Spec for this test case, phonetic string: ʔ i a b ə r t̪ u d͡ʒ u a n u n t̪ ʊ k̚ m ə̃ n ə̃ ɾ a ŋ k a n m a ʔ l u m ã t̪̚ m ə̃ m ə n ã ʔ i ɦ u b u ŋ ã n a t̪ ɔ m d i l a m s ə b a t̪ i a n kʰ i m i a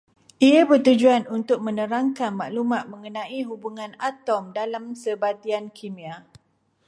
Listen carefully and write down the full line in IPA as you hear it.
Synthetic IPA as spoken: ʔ i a b ə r t̪ u d͡ʒ u a n u n t̪ ʊ k̚ m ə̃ n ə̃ ɾ a ŋ k a n m a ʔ l u m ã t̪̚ m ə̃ ŋ ə n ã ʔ i ɦ u b u ŋ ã n a t̪ ɔ m d a l a m s ə b a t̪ i a n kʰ i m i a